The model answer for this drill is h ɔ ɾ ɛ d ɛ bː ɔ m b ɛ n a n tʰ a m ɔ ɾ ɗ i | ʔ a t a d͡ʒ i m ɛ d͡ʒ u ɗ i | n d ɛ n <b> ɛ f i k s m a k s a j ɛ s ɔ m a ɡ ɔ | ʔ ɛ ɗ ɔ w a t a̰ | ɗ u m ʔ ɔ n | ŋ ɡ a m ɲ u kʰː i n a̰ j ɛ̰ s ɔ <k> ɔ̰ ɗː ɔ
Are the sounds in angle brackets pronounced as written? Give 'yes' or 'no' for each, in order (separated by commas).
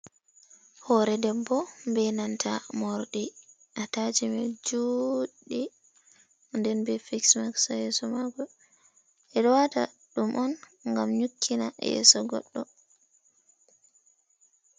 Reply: yes, no